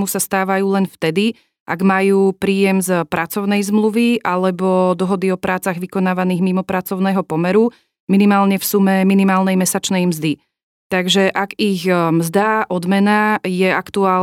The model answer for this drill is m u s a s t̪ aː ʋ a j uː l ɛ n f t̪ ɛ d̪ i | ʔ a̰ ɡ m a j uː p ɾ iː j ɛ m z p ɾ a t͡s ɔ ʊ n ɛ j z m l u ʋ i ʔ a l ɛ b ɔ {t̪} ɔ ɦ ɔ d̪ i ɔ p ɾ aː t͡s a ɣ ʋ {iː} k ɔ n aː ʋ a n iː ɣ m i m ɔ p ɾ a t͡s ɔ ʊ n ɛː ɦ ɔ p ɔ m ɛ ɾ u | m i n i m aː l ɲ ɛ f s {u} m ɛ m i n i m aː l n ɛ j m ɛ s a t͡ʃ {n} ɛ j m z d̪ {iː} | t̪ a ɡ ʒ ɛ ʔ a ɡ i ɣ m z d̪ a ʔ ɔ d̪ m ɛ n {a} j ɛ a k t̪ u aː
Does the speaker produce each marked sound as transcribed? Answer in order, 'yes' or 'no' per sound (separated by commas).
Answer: no, no, yes, yes, no, yes